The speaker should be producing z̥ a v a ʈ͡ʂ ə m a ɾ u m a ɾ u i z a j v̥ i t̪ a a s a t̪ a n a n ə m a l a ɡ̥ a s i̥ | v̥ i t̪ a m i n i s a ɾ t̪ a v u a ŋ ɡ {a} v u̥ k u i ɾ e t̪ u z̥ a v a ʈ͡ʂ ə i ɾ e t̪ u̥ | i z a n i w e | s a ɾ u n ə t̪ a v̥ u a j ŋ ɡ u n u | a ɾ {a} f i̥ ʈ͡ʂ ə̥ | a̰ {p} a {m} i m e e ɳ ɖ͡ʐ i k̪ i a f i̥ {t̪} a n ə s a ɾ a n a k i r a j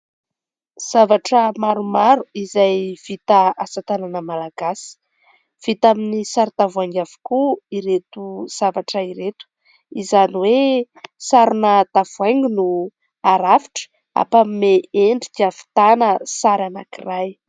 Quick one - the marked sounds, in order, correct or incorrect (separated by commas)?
correct, correct, correct, correct, correct